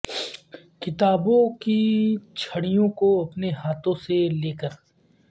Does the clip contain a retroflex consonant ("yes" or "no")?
yes